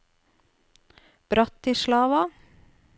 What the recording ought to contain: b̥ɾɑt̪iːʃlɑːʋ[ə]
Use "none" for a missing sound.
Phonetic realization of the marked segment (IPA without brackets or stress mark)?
ɑ